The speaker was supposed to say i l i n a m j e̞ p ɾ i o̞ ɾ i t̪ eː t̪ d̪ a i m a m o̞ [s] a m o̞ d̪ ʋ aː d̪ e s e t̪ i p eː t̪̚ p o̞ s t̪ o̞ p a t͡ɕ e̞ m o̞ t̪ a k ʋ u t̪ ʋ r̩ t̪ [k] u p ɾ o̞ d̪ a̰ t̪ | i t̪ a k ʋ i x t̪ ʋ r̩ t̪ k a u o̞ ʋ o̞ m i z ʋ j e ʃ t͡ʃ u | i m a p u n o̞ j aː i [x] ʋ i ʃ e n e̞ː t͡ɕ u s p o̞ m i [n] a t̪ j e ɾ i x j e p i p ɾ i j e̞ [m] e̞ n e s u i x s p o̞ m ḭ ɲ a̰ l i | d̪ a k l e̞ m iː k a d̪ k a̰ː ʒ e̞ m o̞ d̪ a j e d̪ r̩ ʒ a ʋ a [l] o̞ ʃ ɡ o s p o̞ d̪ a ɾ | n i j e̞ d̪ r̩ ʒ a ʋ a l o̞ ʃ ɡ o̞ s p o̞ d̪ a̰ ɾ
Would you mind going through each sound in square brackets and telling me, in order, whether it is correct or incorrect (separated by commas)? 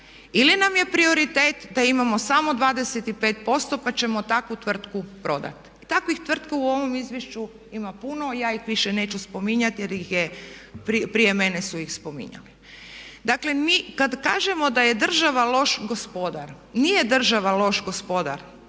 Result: correct, correct, correct, incorrect, correct, correct